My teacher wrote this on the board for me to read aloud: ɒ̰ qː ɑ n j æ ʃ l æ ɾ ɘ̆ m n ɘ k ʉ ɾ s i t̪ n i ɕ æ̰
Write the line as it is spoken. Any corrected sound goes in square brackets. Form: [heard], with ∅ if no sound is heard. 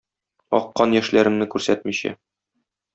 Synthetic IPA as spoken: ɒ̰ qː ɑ n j æ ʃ l æ ɾ ɘ̆ m n ɘ k ʉ ɾ s [æ] t̪ [m] i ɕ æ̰